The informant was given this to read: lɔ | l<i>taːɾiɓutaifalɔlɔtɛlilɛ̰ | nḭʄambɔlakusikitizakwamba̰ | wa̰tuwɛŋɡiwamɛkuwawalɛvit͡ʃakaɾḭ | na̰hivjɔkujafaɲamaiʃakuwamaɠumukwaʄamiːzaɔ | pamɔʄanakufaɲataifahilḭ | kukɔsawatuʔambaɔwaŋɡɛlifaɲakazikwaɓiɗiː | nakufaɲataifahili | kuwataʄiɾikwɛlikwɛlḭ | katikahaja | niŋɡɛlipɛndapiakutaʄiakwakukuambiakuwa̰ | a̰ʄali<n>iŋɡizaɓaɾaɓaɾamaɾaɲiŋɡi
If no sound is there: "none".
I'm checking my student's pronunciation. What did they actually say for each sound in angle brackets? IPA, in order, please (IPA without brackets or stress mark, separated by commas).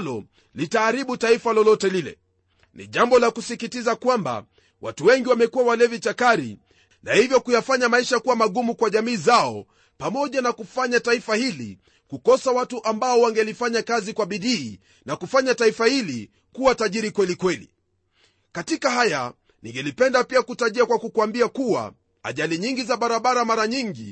i, ɲ